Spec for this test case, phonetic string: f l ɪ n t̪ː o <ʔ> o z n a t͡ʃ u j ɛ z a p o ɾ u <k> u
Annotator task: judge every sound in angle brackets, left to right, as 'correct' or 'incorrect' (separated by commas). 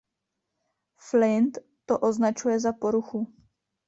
correct, incorrect